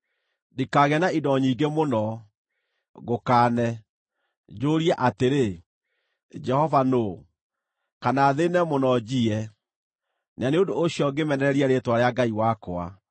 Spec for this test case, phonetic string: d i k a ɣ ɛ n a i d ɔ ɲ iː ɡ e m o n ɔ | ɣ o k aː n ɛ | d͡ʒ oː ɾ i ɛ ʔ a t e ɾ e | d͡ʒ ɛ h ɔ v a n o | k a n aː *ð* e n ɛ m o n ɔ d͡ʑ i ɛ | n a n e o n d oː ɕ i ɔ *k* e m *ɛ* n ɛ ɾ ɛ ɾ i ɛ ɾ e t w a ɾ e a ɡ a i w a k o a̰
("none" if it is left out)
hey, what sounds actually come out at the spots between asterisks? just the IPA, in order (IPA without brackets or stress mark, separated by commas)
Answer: ð, ɡ, ɛ